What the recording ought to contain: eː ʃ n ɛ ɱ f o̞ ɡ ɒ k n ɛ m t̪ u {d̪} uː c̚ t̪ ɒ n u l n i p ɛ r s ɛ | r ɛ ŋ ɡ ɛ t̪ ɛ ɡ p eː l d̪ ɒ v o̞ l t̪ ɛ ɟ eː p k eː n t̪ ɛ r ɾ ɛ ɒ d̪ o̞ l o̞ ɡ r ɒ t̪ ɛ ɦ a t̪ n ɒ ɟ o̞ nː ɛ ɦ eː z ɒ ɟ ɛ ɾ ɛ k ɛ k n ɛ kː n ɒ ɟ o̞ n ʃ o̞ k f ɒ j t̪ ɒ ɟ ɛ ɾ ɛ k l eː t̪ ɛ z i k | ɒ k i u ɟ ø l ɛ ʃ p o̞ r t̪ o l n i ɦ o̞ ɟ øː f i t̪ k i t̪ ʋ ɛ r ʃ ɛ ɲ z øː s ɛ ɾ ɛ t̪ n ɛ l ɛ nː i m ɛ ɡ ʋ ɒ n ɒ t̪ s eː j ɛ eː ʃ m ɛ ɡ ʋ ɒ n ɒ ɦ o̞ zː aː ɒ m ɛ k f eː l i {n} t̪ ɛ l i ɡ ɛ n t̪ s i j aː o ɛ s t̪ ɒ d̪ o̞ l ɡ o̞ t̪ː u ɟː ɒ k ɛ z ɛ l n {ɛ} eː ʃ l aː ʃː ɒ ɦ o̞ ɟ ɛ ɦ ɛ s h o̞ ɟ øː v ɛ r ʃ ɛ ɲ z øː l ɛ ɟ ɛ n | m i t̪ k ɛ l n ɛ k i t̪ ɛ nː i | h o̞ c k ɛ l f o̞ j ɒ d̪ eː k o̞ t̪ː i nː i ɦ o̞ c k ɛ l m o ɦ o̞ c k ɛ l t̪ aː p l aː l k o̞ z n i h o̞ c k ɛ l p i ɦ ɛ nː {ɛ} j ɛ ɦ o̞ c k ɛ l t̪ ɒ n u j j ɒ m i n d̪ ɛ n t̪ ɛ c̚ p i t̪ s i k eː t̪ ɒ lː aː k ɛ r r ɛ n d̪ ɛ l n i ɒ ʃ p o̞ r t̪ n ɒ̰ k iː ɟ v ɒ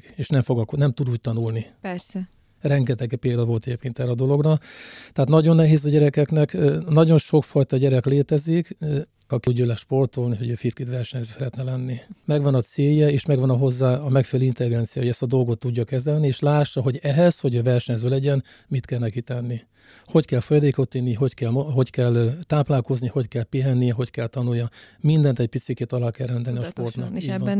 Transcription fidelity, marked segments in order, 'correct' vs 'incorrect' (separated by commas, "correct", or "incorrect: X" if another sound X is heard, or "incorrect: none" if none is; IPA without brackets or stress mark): correct, correct, incorrect: i, incorrect: i